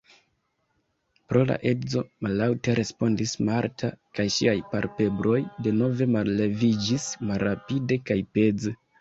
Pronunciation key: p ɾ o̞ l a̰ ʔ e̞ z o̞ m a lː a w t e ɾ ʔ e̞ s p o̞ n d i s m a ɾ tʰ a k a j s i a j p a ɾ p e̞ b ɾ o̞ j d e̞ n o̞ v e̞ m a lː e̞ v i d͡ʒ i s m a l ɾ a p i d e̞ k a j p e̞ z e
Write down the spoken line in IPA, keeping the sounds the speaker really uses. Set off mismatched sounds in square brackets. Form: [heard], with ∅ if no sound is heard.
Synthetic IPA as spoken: p ɾ o̞ l a̰ ʔ e̞ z o̞ m a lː a w t e ɾ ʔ e̞ s p o̞ n d i s m a ɾ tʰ a k a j [ʃ] i a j p a ɾ p e̞ b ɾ o̞ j d e̞ n o̞ v e̞ m a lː e̞ v i d͡ʒ i s m a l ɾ a p i d e̞ k a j p e̞ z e

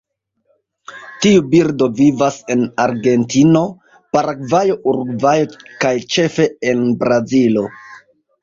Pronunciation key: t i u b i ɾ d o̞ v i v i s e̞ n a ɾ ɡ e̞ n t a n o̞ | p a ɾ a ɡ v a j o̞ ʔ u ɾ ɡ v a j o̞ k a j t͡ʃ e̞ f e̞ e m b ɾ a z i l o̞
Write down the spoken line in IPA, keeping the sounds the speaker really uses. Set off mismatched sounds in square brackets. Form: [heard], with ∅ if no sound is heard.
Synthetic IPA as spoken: t i u b i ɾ d o̞ v i v [a] s e̞ n a ɾ ɡ e̞ n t [i] n o̞ | p a ɾ a ɡ v a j o̞ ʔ u ɾ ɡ v a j o̞ k a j t͡ʃ e̞ f e̞ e [n] b ɾ a z i l o̞

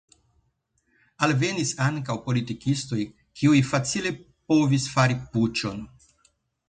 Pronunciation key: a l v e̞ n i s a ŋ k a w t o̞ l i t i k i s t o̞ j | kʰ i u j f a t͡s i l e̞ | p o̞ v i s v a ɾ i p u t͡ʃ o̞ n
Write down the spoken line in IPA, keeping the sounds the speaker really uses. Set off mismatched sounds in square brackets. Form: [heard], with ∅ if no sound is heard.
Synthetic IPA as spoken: a l v e̞ n i s a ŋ k a w [p] o̞ l i t i k i s t o̞ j | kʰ i u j f a t͡s i l e̞ | p o̞ v i s [f] a ɾ i p u t͡ʃ o̞ n

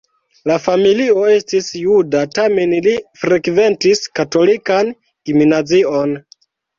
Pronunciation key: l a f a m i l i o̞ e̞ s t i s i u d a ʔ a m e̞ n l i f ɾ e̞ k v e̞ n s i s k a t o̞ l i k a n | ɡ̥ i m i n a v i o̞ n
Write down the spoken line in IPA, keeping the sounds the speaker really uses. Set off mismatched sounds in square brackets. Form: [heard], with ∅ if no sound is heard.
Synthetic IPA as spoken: l a f a m i l i o̞ e̞ s t i s [j] u d a [t] a m e̞ n l i f ɾ e̞ k v e̞ n [t] i s k a t o̞ l i k a n | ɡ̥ i m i n a [z] i o̞ n

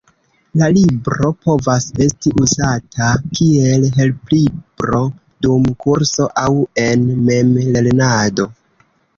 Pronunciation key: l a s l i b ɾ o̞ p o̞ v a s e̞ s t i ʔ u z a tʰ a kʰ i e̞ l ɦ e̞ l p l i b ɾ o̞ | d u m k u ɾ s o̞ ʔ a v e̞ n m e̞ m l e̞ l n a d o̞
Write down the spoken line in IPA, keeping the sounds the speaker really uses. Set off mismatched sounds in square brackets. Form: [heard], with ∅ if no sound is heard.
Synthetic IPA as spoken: l a [∅] l i b ɾ o̞ p o̞ v a s e̞ s t i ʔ u z a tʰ a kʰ i e̞ l ɦ e̞ l p l i b ɾ o̞ | d u m k u ɾ s o̞ ʔ a [w] e̞ n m e̞ m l e̞ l n a d o̞

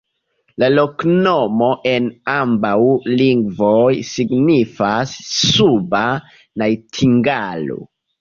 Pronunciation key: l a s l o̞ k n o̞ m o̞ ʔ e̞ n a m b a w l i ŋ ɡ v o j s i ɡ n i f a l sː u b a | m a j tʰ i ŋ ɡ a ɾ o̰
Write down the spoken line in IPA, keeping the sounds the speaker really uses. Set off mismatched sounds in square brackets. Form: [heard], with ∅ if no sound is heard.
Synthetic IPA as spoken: l a [∅] l o̞ k n o̞ m o̞ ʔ e̞ n a m b a w l i ŋ ɡ v o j s i ɡ n i f a [∅] sː u b a | [n] a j tʰ i ŋ ɡ a [l] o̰

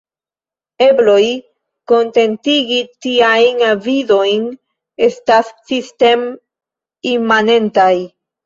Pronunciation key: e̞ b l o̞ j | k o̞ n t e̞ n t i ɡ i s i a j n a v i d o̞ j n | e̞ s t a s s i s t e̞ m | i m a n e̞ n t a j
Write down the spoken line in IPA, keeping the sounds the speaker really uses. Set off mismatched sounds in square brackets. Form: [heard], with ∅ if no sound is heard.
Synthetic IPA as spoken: e̞ b l o̞ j | k o̞ n t e̞ n t i ɡ i [t] i a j n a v i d o̞ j n | e̞ s t a s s i s t e̞ m | i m a n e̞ n t a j

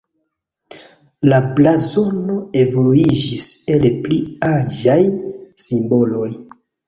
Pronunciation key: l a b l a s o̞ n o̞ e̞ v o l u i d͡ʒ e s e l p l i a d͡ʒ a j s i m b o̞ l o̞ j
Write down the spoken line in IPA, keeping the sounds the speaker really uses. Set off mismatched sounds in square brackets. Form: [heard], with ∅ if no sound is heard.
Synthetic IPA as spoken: l a b l a [z] o̞ n o̞ e̞ v o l u i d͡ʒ [i] s e l p l i a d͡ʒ a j s i m b o̞ l o̞ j

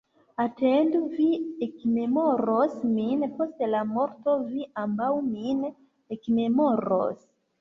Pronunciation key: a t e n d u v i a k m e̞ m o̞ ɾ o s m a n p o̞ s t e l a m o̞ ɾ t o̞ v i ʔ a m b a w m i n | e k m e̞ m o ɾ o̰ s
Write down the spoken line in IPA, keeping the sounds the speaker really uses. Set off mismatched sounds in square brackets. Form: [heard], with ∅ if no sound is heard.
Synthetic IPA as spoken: a t e n d u v i [e] k m e̞ m o̞ ɾ o s m [i] n p o̞ s t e l a m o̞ ɾ t o̞ v i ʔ a m b a w m i n | e k m e̞ m o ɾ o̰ s

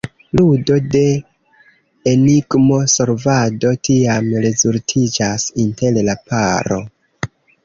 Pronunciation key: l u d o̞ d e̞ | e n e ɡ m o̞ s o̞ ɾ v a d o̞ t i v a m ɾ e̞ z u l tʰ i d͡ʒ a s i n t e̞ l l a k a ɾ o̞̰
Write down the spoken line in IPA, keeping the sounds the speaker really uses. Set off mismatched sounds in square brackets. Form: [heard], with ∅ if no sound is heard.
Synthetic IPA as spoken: l u d o̞ d e̞ | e n [i] ɡ m o̞ s o̞ ɾ v a d o̞ t i [∅] a m ɾ e̞ z u l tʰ i d͡ʒ a s i n t e̞ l l a [p] a ɾ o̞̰

